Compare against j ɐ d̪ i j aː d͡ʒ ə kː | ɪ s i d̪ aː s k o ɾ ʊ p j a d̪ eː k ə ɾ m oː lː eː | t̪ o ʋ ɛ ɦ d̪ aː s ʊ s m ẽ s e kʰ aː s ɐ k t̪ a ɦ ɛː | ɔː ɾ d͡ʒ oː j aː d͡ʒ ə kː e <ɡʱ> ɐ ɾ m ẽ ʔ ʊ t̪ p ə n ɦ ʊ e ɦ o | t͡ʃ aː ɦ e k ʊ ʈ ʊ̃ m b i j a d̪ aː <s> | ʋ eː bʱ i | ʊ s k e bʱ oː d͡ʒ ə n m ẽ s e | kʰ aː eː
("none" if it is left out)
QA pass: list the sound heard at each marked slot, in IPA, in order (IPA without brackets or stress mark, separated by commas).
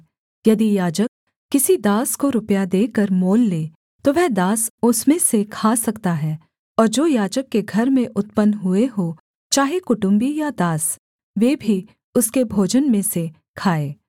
ɡʱ, s